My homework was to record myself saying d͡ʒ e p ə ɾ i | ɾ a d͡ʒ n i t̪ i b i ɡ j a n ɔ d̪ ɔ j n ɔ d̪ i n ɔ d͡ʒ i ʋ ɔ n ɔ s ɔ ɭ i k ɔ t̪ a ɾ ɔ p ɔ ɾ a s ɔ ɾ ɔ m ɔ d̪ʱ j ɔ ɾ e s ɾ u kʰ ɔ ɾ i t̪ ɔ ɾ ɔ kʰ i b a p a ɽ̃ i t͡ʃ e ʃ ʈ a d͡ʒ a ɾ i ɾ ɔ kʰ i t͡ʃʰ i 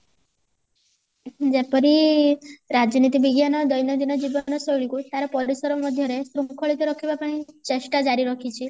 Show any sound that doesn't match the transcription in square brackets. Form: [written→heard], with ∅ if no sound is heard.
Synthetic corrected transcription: d͡ʒ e p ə ɾ i | ɾ a d͡ʒ n i t̪ i b i ɡ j a n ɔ d̪ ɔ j n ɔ d̪ i n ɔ d͡ʒ i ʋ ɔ n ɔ s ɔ ɭ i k [ɔ→u] t̪ a ɾ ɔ p ɔ ɾ [a→i] s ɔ ɾ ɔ m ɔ d̪ʱ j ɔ ɾ e s ɾ u kʰ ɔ [ɾ→ɭ] i t̪ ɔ ɾ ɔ kʰ i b a p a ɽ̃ i t͡ʃ e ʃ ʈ a d͡ʒ a ɾ i ɾ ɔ kʰ i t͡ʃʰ i